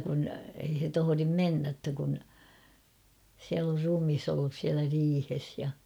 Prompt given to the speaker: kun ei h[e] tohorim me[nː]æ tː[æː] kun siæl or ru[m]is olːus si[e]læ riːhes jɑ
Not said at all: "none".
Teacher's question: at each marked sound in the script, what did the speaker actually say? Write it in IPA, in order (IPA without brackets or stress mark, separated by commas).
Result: e, nː, æ, m, æ